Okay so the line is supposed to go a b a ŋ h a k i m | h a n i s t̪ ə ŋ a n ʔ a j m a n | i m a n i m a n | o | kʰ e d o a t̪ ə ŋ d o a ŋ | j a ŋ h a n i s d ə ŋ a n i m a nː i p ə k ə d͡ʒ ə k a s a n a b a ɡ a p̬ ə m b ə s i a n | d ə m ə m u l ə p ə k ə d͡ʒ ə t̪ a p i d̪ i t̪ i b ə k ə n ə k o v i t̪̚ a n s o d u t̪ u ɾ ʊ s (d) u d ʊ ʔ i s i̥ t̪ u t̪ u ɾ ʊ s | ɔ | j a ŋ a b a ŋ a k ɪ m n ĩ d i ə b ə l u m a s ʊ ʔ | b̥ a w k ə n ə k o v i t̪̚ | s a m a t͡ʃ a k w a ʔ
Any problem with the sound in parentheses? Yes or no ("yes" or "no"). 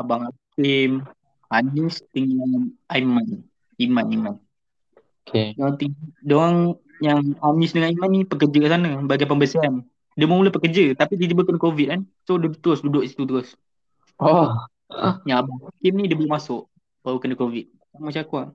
no